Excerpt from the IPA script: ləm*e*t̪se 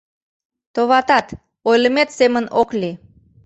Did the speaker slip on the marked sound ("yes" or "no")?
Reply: no